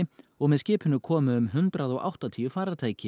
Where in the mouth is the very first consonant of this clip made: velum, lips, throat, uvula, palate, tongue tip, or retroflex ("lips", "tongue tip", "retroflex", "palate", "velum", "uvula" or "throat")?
velum